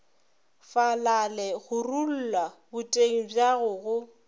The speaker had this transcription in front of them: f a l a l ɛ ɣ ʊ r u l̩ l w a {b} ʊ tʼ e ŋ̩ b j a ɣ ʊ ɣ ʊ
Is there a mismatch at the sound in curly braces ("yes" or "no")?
no